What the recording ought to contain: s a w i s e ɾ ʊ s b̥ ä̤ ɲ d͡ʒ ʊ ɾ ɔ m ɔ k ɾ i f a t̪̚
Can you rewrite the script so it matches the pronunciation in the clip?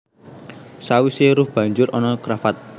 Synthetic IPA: s a w i s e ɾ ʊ h b̥ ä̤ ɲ d͡ʒ ʊ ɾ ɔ n ɔ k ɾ a f a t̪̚